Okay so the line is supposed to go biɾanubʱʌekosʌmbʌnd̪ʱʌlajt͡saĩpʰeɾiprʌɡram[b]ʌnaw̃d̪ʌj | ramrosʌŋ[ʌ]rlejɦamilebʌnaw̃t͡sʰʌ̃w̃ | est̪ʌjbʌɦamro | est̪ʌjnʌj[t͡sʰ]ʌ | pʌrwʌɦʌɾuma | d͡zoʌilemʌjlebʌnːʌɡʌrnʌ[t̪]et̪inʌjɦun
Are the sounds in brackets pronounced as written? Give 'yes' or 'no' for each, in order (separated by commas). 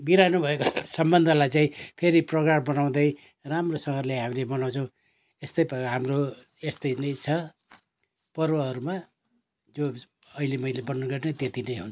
yes, yes, yes, yes